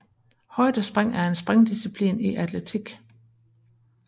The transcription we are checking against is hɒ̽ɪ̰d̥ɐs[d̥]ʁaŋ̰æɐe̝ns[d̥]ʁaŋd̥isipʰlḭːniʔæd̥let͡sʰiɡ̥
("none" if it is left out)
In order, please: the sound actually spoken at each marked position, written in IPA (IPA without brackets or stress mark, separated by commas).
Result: b̥, b̥